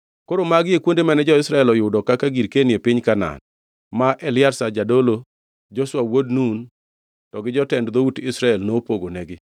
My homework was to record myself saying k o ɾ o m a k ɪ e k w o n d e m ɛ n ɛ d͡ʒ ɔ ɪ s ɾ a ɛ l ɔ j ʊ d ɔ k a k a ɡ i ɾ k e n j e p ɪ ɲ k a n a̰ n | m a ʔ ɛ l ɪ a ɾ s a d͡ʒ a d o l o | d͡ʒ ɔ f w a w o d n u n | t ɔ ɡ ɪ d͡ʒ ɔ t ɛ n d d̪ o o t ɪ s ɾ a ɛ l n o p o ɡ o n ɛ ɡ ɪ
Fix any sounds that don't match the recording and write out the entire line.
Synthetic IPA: k o ɾ o m a ɡ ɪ e k w o n d e m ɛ n ɛ d͡ʒ ɔ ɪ s ɾ a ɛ l ɔ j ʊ d ɔ k a k a ɡ i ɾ k e n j e p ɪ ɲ k a n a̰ n | m a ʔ ɛ l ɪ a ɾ s a d͡ʒ a d o l o | d͡ʒ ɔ s w a w o d n u n | t ɔ ɡ ɪ d͡ʒ ɔ t ɛ n d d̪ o u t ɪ s ɾ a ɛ l n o p o ɡ o n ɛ ɡ ɪ